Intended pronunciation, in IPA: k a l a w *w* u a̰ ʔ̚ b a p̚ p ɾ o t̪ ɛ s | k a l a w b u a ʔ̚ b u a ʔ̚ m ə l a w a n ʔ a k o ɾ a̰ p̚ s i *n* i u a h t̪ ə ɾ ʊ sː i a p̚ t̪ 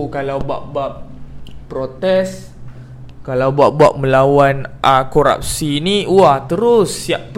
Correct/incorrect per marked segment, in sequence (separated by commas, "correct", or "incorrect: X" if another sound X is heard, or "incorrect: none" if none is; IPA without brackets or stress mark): incorrect: b, correct